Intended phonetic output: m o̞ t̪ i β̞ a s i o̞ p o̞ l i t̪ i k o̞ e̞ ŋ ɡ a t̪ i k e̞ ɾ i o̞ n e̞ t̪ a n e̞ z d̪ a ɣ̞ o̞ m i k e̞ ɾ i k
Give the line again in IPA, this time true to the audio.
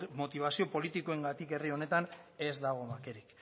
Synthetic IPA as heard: m o̞ t̪ i β̞ a s i o̞ p o̞ l i t̪ i k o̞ e̞ ŋ ɡ a t̪ i k e̞ r i o̞ n e̞ t̪ a n e̞ z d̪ a ɣ̞ o̞ m a k e̞ ɾ i k